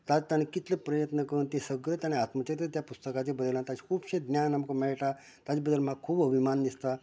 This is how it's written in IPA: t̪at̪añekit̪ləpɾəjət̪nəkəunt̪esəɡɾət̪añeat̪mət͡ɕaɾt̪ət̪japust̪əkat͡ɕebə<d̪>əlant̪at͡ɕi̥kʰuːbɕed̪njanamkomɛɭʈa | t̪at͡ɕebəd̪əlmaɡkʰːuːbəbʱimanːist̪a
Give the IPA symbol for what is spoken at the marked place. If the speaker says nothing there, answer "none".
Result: d̪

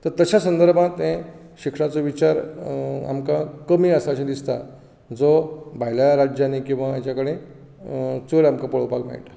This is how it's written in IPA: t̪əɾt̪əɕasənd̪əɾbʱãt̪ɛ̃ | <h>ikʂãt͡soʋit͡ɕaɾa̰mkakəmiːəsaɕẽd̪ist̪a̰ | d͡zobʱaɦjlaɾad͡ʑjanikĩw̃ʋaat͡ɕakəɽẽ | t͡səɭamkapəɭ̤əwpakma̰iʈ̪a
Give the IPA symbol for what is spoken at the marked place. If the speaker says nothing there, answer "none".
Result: ɕ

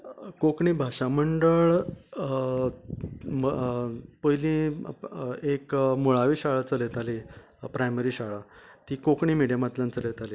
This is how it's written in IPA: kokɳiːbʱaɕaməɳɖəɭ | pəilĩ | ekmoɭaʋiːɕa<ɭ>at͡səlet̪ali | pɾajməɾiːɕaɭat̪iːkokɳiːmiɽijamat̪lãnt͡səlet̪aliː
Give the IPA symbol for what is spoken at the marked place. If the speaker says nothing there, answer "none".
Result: ɭ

